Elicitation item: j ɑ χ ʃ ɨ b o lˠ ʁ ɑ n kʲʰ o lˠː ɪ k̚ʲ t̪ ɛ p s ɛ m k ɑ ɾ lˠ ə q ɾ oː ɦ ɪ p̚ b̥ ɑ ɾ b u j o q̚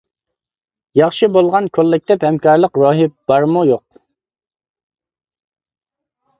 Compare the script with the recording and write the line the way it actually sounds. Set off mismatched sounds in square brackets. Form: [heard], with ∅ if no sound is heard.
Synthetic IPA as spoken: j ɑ χ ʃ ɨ b o lˠ ʁ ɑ n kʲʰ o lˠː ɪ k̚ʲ t̪ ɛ p [h] ɛ m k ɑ ɾ lˠ ə q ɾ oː ɦ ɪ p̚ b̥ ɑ ɾ [m] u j o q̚